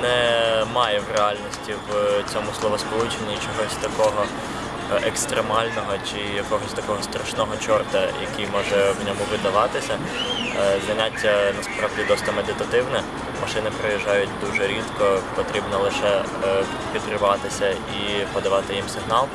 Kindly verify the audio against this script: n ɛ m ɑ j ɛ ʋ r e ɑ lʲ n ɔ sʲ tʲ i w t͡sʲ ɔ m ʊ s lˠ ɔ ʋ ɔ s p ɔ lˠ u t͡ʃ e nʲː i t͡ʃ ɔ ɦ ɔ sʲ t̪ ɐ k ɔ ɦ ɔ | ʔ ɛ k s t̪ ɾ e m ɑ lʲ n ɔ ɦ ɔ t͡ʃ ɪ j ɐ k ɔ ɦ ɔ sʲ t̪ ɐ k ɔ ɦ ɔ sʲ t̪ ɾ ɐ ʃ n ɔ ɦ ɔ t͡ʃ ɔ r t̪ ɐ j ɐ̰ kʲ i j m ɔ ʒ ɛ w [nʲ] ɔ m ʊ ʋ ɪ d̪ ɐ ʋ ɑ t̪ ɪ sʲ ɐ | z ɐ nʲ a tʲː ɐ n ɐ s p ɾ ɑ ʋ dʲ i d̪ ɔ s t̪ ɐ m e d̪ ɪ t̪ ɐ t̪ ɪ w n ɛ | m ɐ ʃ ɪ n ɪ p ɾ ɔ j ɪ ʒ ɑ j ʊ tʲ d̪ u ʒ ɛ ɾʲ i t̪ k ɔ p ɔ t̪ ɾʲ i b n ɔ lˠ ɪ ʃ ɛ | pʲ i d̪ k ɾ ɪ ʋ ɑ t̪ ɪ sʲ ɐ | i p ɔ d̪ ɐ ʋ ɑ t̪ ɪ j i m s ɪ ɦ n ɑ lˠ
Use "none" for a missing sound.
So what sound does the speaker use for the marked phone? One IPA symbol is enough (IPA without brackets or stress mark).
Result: nʲ